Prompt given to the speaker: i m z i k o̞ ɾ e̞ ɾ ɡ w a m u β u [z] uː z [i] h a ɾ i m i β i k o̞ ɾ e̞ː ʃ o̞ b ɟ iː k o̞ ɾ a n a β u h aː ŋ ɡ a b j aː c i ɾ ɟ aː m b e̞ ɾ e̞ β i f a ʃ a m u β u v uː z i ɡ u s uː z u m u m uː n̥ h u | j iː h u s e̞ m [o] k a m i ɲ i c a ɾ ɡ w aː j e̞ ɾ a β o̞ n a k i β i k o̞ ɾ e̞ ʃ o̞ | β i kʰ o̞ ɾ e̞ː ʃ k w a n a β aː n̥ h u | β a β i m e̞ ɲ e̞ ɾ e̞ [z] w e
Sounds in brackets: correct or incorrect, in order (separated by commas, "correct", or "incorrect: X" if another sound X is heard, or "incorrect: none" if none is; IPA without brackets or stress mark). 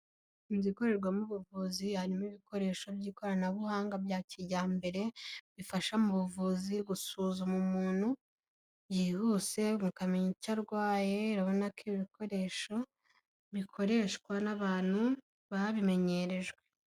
incorrect: v, correct, incorrect: u, incorrect: ʒ